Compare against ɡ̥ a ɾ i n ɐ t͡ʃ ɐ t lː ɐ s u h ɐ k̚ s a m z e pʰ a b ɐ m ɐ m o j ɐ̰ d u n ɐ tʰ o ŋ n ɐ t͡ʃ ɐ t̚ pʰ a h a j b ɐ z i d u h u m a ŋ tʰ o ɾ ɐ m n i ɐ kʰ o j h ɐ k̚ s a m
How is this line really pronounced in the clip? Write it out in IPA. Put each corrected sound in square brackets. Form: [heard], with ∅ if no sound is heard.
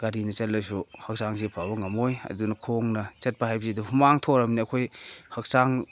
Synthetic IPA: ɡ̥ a ɾ i n ɐ t͡ʃ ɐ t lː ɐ s u h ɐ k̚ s a [ŋ] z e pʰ a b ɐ [ŋ] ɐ m o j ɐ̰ d u n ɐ [kʰ] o ŋ n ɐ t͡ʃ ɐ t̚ [p] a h a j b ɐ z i d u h u m a ŋ tʰ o ɾ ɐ m n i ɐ kʰ o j h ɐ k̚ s a [ŋ]